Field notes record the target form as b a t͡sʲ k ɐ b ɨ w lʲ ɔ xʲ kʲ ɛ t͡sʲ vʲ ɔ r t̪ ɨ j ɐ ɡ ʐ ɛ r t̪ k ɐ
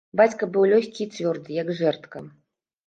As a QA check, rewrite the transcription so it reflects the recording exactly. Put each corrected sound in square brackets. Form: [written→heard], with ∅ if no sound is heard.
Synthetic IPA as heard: b a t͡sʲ k ɐ b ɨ w lʲ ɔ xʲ kʲ [ɛ→i] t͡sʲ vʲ ɔ r [t̪→d̪] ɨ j ɐ ɡ ʐ ɛ r t̪ k ɐ